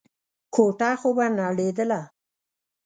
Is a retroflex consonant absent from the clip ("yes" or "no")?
no